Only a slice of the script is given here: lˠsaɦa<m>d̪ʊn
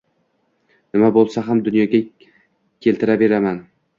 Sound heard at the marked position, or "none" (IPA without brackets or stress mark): m